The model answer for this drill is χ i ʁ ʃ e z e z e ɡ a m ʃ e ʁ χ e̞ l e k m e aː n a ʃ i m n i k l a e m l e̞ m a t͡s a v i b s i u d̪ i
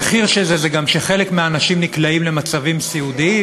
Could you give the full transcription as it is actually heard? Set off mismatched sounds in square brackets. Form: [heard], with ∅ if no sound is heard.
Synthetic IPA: χ i ʁ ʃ e z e z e ɡ a m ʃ e [∅] χ e̞ l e k m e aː n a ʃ i m n i k l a [i] m l e̞ m a t͡s a v i [m] s i u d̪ i